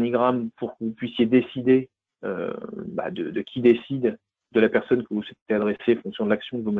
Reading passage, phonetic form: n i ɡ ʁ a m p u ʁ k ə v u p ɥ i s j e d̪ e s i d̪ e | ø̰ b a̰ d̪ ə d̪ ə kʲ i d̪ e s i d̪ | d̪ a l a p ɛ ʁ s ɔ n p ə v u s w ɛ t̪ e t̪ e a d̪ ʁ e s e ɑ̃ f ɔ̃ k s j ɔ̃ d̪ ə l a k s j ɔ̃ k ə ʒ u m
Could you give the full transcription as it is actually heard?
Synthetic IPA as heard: n i ɡ ʁ a m p u ʁ k ə v u p ɥ i s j e d̪ e s i d̪ e | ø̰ b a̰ d̪ ə d̪ ə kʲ i d̪ e s i d̪ | d̪ ə l a p ɛ ʁ s ɔ n k ə v u s w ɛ t̪ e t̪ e a d̪ ʁ e s e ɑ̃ f ɔ̃ k s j ɔ̃ d̪ ə l a k s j ɔ̃ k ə v u m